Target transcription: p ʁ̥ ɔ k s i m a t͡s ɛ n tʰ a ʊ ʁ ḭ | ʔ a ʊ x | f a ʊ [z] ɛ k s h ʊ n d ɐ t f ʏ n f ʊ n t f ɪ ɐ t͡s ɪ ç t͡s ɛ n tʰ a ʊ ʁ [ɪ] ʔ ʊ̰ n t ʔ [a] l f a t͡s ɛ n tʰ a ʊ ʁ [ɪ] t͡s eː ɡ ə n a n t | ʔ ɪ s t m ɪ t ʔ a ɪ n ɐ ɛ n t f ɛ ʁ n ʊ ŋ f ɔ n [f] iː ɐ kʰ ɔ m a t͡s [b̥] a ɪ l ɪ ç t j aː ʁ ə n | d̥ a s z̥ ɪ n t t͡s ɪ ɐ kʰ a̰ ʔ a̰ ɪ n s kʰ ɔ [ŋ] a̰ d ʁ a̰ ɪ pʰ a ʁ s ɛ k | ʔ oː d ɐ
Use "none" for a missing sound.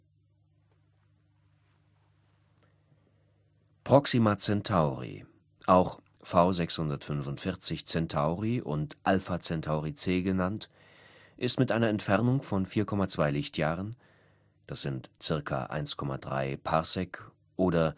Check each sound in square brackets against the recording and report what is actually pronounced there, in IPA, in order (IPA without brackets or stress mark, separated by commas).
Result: z, i, a, i, f, v̥, m